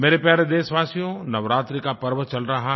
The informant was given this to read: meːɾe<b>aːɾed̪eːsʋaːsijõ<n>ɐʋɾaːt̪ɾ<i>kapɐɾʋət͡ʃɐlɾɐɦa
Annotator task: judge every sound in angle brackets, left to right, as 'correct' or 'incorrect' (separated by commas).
incorrect, correct, correct